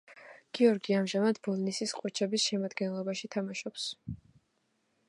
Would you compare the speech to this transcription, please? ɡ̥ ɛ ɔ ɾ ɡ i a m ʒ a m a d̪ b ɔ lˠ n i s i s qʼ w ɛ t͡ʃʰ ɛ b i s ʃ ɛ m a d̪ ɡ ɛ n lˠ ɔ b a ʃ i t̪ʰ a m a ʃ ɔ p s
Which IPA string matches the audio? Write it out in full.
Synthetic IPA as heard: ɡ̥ i ɔ ɾ ɡ i a m ʒ a m a d̪ b ɔ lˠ n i s i s qʼ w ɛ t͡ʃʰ ɛ b i s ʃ ɛ m a d̪ ɡ ɛ n lˠ ɔ b a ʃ i t̪ʰ a m a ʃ ɔ p s